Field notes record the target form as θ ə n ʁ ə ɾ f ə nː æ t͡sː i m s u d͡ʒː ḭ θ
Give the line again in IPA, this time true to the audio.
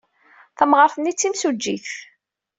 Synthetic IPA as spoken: θ ə m ʁ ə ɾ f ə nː i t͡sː i m s u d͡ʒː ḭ θ